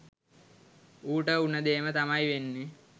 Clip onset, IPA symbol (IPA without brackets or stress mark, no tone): uː